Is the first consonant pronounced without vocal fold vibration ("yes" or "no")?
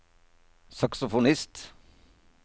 yes